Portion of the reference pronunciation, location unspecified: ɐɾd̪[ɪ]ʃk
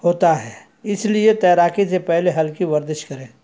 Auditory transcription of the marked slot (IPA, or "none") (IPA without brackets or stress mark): ɪ